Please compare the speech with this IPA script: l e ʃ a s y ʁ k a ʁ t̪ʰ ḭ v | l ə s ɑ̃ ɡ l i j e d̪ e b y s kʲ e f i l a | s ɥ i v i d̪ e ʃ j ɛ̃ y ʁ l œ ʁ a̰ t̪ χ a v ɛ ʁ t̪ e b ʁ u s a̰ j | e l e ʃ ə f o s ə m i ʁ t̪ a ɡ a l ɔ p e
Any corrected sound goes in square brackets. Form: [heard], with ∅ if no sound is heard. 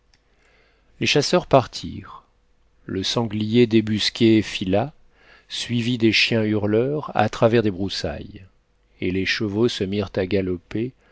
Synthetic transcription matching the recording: l e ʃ a s [œ] ʁ [p] a ʁ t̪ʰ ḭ [ʁ] | l ə s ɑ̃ ɡ l i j e d̪ e b y s kʲ e f i l a | s ɥ i v i d̪ e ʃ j ɛ̃ y ʁ l œ ʁ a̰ t̪ χ a v ɛ ʁ [d̪] e b ʁ u s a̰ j | e l e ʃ ə [v] o s ə m i ʁ t̪ a ɡ a l ɔ p e

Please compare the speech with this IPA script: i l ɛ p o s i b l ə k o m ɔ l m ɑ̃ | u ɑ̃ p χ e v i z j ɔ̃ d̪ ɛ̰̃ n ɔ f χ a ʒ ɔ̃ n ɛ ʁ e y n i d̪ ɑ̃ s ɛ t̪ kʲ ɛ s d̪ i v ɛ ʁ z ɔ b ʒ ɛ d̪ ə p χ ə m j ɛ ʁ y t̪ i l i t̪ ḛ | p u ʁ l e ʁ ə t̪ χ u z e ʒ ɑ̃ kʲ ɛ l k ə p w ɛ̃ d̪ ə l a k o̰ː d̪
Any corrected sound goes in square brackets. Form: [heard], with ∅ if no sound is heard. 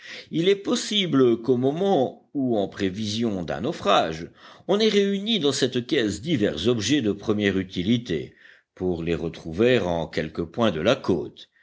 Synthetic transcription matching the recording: i l ɛ p [ɔ] s i b l ə k o m ɔ [∅] m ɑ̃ | u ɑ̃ p χ e v i z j ɔ̃ d̪ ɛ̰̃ n ɔ f χ a ʒ ɔ̃ n ɛ ʁ e y n i d̪ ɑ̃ s ɛ t̪ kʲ ɛ s d̪ i v ɛ ʁ z ɔ b ʒ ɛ d̪ ə p χ ə m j ɛ ʁ y t̪ i l i t̪ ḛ | p u ʁ l e ʁ ə t̪ χ u [v] e [ʁ] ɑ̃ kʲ ɛ l k ə p w ɛ̃ d̪ ə l a k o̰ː [t̪]

